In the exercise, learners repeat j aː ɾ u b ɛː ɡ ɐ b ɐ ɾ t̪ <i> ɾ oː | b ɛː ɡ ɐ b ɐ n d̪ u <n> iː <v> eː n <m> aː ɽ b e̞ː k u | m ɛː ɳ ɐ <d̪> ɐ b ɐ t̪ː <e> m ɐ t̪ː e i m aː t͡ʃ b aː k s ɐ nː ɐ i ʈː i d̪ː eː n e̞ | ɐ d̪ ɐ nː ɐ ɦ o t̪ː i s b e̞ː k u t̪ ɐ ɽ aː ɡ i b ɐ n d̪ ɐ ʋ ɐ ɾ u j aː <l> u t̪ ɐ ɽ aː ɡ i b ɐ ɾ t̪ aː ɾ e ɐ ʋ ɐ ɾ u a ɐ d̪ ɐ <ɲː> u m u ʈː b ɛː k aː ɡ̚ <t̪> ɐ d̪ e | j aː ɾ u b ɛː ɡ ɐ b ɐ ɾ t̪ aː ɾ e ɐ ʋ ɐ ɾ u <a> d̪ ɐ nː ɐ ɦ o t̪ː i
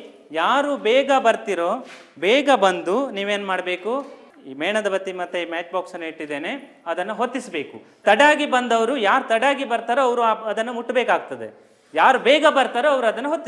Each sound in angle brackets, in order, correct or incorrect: correct, correct, incorrect: ʋ, correct, correct, incorrect: i, incorrect: ɾ, incorrect: nː, correct, incorrect: ɐ

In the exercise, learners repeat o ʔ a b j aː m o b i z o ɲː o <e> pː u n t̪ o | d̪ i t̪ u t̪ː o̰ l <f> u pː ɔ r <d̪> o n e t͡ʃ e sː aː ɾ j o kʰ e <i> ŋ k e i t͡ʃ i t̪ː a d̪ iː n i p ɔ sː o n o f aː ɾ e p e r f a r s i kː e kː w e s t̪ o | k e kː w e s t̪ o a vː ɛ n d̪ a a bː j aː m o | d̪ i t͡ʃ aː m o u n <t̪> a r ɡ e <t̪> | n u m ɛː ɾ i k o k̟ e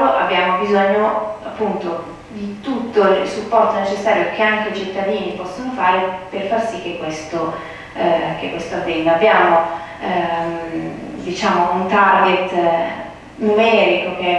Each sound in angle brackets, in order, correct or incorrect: incorrect: a, incorrect: s, incorrect: t̪, incorrect: a, correct, correct

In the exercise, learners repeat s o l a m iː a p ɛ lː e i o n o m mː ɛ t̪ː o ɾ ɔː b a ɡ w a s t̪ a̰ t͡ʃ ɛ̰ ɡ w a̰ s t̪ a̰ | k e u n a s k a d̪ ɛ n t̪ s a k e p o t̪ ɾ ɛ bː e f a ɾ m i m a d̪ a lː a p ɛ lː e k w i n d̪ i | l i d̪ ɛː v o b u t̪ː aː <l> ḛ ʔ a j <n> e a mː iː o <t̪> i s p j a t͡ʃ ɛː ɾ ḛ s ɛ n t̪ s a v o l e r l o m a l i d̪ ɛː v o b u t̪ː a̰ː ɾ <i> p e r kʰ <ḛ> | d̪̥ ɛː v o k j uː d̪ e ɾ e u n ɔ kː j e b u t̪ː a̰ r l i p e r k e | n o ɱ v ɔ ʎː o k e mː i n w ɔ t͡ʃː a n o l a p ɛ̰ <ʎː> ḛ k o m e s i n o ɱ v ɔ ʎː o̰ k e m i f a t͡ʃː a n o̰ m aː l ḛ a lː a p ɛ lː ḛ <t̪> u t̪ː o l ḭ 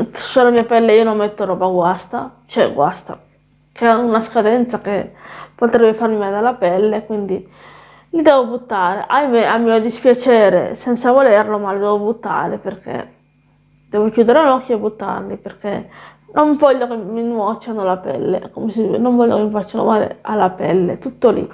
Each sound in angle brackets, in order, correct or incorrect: incorrect: ɾ, incorrect: m, incorrect: d̪, incorrect: e, correct, incorrect: lː, correct

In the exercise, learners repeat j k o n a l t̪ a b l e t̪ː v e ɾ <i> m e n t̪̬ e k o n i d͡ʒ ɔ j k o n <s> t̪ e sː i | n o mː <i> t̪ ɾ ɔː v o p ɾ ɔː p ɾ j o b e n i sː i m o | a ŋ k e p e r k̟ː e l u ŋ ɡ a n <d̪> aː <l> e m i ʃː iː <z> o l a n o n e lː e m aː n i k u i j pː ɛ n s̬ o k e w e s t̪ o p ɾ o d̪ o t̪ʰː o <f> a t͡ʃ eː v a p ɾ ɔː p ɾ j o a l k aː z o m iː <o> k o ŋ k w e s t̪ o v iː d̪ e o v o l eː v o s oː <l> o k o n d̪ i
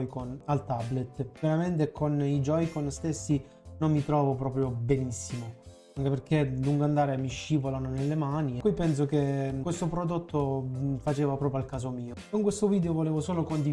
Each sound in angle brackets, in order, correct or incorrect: incorrect: a, correct, correct, correct, incorrect: ɾ, incorrect: v, correct, correct, correct

